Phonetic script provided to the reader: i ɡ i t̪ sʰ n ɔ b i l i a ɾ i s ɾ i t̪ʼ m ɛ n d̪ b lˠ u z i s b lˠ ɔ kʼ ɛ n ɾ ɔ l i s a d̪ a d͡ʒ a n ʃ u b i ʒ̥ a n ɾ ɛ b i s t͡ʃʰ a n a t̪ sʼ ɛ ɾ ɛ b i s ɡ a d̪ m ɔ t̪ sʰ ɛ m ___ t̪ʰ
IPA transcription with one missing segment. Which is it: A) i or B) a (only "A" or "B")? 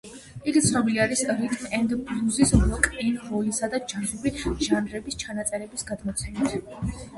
A